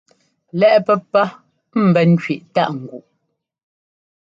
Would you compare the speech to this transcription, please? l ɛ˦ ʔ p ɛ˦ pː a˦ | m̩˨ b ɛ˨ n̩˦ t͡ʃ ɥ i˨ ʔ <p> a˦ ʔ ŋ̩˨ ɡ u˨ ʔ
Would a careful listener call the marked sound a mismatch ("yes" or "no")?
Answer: yes